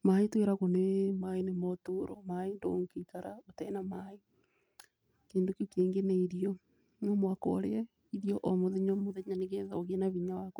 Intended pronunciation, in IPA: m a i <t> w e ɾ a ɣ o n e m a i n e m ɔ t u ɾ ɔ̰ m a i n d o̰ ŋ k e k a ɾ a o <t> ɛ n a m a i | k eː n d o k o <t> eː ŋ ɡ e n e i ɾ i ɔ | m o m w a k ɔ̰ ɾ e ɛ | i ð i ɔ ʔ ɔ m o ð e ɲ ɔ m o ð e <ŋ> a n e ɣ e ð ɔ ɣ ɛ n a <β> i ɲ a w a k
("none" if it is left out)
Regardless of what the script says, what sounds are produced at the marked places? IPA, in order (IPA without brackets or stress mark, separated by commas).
t, t, k, ɲ, β